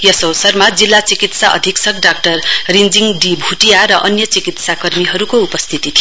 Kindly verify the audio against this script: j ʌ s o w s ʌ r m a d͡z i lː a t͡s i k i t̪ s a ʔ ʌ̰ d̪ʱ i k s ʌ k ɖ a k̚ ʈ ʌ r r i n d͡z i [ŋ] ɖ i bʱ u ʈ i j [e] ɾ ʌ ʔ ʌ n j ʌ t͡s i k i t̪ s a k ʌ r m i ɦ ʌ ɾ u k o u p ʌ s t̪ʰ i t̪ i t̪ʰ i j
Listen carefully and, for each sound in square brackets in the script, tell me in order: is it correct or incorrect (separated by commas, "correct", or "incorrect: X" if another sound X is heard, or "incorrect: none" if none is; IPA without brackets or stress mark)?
correct, incorrect: a